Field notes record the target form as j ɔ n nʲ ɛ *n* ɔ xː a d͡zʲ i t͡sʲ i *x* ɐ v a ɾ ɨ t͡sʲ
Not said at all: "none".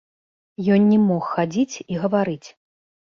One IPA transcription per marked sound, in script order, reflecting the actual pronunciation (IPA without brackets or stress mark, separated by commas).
m, ɣ